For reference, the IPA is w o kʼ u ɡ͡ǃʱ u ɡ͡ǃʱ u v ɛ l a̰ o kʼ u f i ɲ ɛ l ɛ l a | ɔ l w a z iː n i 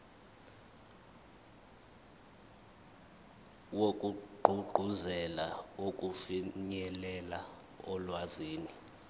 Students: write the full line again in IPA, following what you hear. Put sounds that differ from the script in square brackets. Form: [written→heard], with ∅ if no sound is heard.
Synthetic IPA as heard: w o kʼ u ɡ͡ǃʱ u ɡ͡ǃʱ u [v→z] ɛ l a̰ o kʼ u f i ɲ ɛ l ɛ l a | ɔ l w a z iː n i